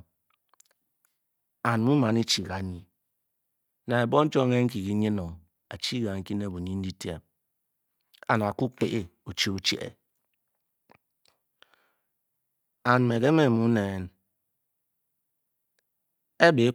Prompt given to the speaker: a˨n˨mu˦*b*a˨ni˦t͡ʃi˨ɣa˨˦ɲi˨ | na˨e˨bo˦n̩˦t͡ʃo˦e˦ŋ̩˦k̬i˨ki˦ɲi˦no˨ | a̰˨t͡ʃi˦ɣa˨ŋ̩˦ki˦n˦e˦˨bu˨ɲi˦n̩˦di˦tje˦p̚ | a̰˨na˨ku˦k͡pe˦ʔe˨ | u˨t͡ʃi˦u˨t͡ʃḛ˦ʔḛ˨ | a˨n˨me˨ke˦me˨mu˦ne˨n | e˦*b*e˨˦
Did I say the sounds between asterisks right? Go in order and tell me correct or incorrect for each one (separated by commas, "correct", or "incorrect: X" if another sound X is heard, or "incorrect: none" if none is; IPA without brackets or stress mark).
incorrect: m, correct